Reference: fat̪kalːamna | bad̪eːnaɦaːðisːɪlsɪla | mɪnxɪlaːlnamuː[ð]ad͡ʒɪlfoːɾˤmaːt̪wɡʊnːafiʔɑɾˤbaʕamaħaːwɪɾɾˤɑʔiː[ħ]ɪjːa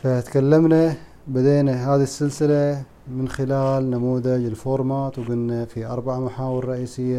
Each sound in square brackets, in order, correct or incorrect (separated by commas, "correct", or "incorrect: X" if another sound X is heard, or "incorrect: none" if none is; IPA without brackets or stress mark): correct, incorrect: s